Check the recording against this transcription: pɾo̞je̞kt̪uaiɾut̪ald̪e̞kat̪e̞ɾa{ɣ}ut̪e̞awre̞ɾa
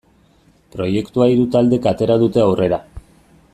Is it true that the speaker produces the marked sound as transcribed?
no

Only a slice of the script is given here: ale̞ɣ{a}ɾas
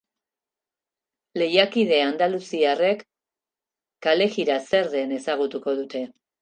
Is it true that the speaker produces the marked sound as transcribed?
no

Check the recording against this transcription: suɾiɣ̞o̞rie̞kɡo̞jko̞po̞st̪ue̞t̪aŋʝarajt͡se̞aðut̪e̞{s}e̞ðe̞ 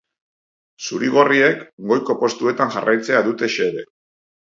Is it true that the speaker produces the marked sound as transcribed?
no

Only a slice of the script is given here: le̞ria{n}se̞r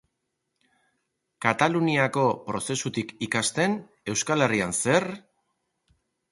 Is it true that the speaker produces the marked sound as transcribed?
yes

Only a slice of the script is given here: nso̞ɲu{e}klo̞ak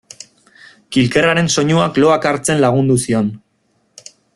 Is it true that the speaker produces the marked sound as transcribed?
no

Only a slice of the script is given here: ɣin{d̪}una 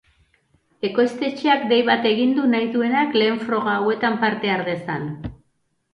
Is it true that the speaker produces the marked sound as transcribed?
yes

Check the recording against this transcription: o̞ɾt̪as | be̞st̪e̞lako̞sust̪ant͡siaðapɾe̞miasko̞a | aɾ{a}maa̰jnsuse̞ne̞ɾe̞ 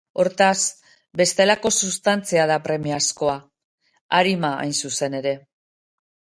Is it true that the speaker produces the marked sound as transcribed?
no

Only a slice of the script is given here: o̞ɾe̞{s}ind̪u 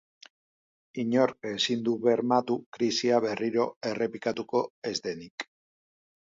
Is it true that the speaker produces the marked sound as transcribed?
yes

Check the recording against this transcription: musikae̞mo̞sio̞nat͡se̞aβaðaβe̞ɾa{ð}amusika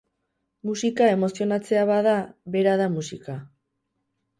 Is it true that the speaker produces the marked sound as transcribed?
yes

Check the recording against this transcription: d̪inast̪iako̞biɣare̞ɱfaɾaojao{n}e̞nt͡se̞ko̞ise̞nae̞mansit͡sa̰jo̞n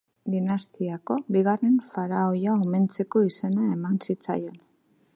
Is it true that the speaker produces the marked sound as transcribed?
no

